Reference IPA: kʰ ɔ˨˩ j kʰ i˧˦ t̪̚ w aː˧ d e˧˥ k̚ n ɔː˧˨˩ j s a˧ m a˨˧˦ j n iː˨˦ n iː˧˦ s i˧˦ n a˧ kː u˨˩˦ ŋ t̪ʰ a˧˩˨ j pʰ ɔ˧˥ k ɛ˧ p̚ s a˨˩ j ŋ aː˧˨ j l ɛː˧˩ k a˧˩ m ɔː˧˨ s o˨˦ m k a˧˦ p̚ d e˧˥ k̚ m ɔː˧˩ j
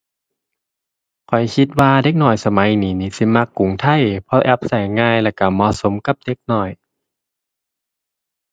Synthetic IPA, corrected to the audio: kʰ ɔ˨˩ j kʰ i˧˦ t̪̚ w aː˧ d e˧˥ k̚ n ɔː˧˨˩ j s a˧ m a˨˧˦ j n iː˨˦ n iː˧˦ s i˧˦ m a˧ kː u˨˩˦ ŋ t̪ʰ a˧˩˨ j pʰ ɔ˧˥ ʔ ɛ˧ p̚ s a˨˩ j ŋ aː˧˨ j l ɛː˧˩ k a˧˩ m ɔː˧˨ s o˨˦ m k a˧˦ p̚ d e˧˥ k̚ n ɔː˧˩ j